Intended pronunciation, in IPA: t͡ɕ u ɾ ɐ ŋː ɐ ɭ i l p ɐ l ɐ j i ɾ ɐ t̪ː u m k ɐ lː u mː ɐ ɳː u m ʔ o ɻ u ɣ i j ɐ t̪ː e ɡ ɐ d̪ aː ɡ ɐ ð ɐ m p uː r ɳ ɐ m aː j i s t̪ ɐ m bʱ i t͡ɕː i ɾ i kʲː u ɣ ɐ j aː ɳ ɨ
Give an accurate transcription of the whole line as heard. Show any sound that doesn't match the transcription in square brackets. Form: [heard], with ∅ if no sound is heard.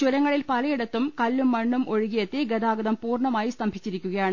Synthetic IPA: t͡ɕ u ɾ ɐ ŋː ɐ ɭ i l p ɐ l ɐ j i [ɽ] ɐ t̪ː u m k ɐ lː u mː ɐ ɳː u m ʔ o ɻ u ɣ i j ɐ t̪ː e ɡ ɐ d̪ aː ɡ ɐ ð ɐ m p uː r ɳ ɐ m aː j i s t̪ ɐ m bʱ i t͡ɕː i ɾ i kʲː u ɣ ɐ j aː ɳ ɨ